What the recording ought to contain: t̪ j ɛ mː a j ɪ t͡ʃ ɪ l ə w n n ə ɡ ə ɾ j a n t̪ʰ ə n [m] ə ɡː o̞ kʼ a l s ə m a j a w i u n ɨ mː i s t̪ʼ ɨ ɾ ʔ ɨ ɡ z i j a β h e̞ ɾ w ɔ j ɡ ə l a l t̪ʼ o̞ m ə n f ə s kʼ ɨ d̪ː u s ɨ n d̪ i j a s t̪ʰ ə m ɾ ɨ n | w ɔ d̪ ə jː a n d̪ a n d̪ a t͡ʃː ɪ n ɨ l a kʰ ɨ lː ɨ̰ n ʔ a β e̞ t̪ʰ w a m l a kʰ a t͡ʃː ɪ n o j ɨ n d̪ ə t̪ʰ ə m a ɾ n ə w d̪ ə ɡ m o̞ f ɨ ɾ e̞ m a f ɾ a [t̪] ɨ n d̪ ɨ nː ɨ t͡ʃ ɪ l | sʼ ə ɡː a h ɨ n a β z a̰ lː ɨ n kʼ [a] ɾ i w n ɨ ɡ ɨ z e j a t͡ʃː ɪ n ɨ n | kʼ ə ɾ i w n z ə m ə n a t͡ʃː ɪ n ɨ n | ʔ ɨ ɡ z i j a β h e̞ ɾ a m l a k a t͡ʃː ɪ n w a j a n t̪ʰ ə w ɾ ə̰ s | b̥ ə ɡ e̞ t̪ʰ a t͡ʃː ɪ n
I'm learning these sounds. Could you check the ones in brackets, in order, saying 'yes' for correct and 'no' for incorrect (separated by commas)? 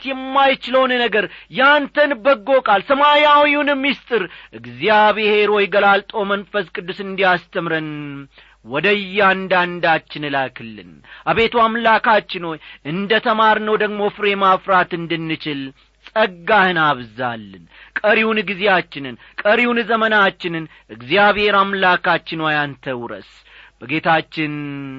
no, yes, no